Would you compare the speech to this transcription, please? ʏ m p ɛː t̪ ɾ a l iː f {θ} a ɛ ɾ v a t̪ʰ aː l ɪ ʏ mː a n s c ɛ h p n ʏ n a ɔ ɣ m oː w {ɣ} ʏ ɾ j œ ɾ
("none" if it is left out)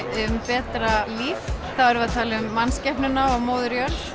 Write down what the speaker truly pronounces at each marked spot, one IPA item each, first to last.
θ, ð

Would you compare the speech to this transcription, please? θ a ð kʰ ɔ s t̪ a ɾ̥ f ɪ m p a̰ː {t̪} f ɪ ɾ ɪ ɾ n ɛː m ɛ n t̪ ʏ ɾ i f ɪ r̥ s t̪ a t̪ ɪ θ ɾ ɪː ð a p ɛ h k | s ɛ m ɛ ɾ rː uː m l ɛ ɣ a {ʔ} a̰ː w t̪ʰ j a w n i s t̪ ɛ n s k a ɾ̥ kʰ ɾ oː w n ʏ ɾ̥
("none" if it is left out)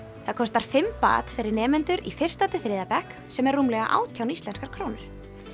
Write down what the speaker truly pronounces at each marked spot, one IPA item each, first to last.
t̪, ʔ

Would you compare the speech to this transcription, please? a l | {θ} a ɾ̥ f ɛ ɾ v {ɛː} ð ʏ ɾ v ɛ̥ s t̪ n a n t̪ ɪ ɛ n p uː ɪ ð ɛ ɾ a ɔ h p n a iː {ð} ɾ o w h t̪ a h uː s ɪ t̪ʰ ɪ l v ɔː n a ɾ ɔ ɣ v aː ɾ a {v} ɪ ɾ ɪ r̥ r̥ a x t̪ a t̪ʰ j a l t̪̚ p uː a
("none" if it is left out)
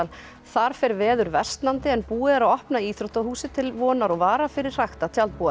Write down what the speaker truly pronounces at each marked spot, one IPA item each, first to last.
θ, ɛː, θ, f

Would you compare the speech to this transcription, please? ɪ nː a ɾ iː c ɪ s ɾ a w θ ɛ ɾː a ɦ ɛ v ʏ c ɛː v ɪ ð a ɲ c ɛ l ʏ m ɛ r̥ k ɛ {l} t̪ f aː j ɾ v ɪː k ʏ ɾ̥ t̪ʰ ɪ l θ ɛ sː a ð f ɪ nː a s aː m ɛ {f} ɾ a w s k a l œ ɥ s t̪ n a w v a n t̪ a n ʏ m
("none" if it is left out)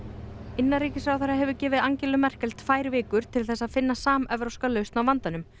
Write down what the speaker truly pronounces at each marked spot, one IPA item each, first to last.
l, v

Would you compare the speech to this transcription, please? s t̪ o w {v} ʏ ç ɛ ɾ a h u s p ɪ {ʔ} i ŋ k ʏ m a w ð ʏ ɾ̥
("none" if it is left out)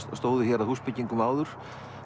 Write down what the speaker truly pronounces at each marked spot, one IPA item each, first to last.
ð, c

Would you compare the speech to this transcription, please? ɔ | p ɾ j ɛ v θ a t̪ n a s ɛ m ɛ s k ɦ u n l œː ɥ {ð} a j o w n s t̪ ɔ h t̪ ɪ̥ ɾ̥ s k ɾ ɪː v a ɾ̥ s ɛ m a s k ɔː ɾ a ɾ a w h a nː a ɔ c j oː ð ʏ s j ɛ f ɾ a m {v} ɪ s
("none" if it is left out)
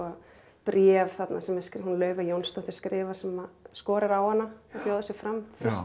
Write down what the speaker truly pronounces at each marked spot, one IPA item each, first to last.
v, f

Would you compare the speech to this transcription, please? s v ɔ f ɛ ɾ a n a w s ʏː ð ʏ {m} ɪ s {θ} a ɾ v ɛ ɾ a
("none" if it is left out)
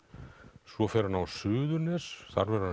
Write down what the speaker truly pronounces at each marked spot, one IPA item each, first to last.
n, θ

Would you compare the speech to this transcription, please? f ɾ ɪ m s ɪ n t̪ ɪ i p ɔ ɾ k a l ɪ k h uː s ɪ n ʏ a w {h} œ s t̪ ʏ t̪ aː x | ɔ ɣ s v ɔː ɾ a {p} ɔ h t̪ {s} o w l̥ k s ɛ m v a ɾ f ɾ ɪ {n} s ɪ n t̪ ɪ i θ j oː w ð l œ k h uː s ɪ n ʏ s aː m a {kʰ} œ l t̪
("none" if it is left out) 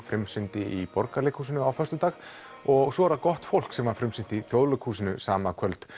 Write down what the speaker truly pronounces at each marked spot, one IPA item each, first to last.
f, k, f, m, kʰ

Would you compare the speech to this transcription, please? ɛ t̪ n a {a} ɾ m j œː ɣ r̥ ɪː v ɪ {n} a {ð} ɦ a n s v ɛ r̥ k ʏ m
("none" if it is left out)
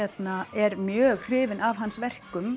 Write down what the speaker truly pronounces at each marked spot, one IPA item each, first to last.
ɛ, n, v

